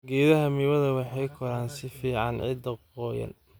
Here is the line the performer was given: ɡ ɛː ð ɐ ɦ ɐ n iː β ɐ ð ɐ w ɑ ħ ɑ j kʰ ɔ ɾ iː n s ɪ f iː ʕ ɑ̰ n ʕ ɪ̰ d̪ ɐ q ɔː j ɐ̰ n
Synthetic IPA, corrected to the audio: ɡ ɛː ð ɐ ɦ ɐ m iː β ɐ ð ɐ w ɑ ħ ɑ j kʰ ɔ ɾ aː n s ɪ f iː ʕ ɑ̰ n ʕ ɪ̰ d̪ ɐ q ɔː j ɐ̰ n